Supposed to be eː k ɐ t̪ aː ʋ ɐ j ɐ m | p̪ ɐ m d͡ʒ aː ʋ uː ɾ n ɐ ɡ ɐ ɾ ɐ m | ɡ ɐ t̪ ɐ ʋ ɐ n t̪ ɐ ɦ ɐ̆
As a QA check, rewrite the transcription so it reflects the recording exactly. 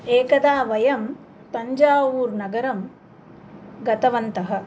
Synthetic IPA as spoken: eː k ɐ d̪ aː ʋ ɐ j ɐ m | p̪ ɐ ɲ d͡ʒ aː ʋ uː ɾ n ɐ ɡ ɐ ɾ ɐ m | ɡ ɐ t̪ ɐ ʋ ɐ n t̪ ɐ ɦ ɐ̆